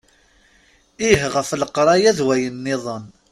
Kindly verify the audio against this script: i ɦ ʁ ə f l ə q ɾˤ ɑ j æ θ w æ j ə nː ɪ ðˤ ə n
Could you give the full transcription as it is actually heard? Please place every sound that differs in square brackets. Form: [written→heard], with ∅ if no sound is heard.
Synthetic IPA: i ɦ ʁ ə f l ə q ɾˤ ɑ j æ [θ→ð] w æ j ə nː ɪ ðˤ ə n